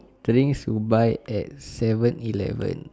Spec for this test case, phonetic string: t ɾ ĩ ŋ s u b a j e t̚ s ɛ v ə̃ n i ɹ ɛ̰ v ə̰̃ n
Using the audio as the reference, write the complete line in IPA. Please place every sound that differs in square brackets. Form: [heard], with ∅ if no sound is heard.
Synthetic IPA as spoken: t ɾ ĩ ŋ s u b a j [ɛ] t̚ s ɛ v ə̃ n i [l] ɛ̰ v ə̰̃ n